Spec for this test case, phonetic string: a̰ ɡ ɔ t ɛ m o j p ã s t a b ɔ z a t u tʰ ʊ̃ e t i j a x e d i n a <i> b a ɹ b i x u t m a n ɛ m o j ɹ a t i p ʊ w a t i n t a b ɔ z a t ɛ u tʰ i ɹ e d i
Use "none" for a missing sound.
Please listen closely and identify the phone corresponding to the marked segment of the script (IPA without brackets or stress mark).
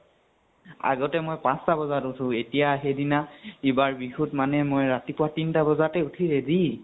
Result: i